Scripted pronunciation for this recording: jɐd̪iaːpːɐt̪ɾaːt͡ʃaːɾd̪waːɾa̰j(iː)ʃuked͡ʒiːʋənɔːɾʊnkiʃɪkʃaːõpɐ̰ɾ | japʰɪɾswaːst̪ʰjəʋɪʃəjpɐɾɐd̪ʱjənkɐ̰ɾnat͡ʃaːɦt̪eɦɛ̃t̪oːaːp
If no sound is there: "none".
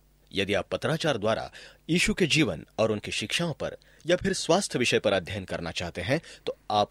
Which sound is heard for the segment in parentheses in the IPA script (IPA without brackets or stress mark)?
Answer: iː